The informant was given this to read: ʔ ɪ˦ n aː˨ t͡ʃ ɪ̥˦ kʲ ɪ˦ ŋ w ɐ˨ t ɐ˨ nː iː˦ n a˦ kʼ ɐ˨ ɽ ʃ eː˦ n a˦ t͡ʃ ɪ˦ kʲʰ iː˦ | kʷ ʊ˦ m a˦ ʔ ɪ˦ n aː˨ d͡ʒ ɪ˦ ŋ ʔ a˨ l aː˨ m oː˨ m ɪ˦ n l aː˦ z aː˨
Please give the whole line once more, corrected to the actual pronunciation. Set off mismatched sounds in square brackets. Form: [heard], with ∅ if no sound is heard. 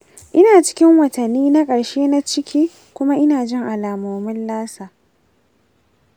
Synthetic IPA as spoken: ʔ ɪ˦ n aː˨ t͡ʃ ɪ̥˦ kʲ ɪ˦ ŋ w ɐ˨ t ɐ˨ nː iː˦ n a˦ kʼ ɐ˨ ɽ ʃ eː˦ n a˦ t͡ʃ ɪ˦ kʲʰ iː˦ | kʷ ʊ˦ m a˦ ʔ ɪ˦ n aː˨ d͡ʒ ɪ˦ ŋ ʔ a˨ l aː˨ m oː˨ m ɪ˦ n l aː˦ [s] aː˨